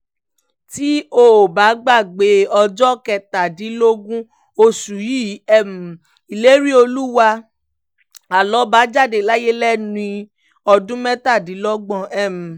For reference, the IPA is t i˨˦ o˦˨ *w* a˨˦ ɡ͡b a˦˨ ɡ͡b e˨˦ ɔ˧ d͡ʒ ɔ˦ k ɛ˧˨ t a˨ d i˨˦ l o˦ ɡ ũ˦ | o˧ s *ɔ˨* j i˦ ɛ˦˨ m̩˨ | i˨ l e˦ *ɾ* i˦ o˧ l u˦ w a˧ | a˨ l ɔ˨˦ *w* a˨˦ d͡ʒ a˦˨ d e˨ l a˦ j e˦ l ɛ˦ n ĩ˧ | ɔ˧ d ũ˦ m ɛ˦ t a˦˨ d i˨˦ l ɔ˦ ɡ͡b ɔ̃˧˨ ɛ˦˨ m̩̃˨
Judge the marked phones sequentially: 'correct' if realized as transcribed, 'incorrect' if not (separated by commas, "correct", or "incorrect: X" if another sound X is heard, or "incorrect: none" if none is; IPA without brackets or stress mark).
incorrect: b, incorrect: u˨, correct, incorrect: b